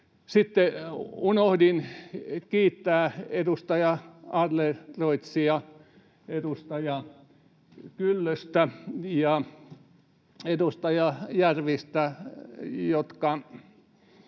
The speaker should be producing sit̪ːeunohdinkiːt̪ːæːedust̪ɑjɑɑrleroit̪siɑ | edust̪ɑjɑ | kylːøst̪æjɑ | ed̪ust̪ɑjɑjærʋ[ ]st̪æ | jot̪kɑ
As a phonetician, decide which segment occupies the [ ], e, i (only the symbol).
i